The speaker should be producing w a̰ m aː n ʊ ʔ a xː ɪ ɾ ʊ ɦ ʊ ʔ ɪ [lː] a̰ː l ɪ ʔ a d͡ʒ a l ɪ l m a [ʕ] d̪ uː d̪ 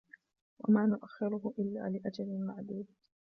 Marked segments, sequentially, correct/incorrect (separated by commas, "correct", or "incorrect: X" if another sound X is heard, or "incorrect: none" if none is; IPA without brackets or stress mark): correct, correct